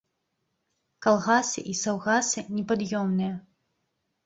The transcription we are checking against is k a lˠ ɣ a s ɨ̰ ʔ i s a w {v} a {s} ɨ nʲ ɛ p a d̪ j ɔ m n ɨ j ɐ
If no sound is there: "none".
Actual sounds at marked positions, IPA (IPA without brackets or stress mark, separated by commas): ɣ, s